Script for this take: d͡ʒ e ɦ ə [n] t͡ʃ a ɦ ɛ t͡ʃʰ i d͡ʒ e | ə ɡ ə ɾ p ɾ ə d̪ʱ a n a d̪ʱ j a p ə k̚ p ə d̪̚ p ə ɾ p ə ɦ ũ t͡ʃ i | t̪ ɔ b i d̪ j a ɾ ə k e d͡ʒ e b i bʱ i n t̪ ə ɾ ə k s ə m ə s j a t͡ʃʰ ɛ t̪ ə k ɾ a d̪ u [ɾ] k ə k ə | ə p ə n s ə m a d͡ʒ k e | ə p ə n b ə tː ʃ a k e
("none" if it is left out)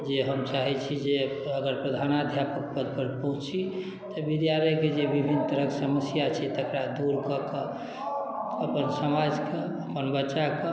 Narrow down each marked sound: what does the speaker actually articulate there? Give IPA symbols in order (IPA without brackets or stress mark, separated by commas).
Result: m, ɾ